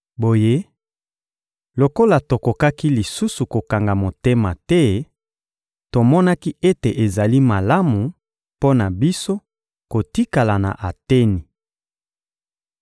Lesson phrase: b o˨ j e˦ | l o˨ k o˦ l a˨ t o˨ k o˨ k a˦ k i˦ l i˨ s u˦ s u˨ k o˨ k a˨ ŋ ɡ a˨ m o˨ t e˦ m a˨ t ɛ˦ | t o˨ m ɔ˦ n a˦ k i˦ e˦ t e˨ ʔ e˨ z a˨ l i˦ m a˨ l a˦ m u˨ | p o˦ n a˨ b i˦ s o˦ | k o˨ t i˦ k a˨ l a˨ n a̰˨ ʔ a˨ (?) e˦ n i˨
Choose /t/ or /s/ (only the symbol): t